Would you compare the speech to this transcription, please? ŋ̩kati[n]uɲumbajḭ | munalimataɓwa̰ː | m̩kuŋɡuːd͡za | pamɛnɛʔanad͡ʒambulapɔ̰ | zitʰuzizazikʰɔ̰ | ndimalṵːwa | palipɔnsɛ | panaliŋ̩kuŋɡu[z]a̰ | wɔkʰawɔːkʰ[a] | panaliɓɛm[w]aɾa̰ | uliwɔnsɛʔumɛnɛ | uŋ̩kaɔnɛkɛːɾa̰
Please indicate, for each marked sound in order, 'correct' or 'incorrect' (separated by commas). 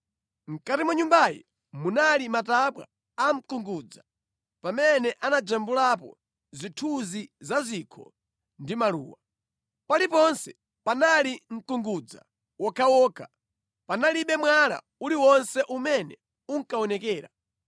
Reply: incorrect, incorrect, correct, correct